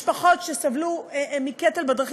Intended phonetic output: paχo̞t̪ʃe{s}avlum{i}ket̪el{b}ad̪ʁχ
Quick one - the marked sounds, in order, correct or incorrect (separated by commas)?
correct, correct, correct